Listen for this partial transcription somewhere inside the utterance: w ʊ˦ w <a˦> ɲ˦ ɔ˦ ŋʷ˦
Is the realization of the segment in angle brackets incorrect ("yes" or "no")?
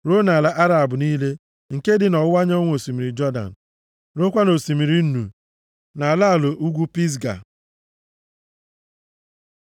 no